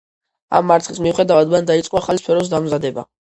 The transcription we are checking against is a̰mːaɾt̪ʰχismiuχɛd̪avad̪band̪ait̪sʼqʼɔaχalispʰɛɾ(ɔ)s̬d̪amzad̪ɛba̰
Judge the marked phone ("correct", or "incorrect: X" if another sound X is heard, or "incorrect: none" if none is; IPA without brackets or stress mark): correct